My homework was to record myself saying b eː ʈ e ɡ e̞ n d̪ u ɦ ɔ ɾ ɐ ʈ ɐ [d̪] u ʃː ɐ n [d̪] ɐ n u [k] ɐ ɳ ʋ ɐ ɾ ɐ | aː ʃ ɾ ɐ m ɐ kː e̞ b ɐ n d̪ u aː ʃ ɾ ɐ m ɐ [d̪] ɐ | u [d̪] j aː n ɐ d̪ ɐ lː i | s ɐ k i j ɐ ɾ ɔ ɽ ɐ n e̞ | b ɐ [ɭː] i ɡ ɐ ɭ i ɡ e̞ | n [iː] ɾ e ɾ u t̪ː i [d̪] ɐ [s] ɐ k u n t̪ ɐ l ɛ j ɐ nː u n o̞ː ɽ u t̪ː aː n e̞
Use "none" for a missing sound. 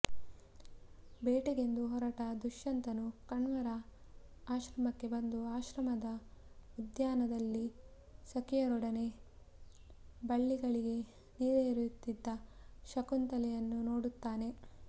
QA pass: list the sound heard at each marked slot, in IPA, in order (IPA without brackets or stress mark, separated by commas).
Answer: d̪, t̪, k, d̪, d̪, ɭː, iː, d̪ː, ʃ